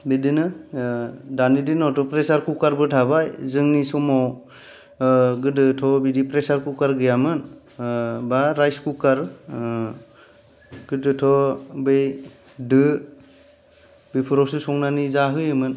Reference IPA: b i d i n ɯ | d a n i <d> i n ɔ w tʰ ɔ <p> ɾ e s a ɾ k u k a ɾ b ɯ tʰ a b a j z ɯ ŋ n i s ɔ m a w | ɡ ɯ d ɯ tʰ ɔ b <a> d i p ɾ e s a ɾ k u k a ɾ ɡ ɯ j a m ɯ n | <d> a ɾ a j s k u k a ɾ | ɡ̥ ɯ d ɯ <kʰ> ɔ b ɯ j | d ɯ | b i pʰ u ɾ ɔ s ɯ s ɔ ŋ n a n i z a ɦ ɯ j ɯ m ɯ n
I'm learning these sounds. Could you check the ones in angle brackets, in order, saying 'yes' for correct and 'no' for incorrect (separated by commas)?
yes, yes, no, no, no